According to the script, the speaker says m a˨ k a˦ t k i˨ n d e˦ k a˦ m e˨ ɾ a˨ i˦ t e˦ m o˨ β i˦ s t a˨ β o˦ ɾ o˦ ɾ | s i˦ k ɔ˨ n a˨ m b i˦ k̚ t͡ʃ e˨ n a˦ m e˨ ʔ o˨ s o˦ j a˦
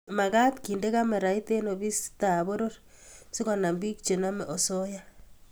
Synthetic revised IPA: m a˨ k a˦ t k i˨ n d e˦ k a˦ m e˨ ɾ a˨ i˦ t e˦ n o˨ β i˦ s t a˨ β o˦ ɾ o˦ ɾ | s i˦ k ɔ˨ n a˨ m b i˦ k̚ t͡ʃ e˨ n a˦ m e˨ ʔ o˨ s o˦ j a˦